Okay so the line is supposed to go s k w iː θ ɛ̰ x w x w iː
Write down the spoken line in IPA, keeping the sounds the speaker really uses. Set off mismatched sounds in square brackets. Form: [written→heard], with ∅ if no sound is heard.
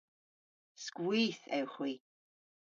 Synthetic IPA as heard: s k w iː θ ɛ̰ [x→∅] w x w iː